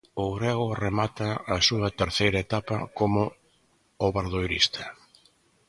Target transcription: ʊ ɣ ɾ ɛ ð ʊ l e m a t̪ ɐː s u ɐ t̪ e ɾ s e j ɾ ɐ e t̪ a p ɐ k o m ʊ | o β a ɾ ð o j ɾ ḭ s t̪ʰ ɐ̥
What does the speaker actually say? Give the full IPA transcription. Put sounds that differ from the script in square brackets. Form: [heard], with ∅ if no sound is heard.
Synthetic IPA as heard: ʊ ɣ ɾ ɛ [ɣ] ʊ [r] e m a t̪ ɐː s u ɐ t̪ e ɾ [θ] e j ɾ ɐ e t̪ a p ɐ k o m ʊ | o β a ɾ ð o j ɾ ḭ s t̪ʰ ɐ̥